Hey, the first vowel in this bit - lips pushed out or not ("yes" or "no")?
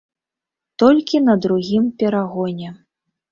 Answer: yes